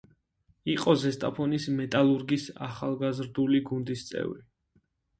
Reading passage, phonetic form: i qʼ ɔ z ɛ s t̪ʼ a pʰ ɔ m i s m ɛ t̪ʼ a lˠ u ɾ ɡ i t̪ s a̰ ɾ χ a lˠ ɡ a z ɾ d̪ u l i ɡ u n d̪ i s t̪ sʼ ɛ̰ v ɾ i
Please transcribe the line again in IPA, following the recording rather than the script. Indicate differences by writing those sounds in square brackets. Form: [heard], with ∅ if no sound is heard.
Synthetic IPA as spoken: i qʼ ɔ z ɛ s t̪ʼ a pʰ ɔ [n] i s m ɛ t̪ʼ a lˠ u ɾ ɡ i [∅] s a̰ [∅] χ a lˠ ɡ a z ɾ d̪ u l i ɡ u n d̪ i s t̪ sʼ ɛ̰ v ɾ i